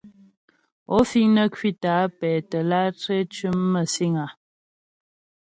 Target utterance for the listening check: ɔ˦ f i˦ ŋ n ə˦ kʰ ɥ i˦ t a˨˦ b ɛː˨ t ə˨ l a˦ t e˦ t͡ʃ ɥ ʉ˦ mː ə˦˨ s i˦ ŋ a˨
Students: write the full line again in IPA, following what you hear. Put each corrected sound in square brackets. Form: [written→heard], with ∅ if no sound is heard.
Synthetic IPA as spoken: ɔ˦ f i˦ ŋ n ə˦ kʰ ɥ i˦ t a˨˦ [b→p] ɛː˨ t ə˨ l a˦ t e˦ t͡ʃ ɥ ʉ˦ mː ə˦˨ s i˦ ŋ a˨